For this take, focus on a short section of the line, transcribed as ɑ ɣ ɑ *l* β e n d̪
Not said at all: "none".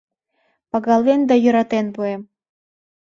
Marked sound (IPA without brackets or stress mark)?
l